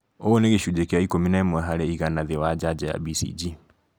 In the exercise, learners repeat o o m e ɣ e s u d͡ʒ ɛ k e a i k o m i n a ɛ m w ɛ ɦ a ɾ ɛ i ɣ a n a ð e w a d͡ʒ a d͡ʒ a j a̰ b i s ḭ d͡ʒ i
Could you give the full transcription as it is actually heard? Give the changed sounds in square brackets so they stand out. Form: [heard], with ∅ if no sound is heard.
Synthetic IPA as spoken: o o [n] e ɣ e [ʃ] u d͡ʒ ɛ k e a i k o m i n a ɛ m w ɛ ɦ a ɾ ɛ i ɣ a n a ð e w a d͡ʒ a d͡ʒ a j a̰ b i s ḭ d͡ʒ i